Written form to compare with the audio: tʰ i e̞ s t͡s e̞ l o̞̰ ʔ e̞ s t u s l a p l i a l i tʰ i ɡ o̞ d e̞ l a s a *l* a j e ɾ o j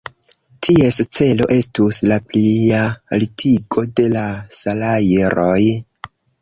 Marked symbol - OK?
yes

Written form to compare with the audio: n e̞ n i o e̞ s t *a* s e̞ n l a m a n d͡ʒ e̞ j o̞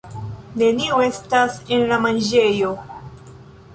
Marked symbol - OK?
yes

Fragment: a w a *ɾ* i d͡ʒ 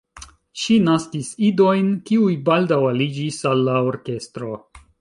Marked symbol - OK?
no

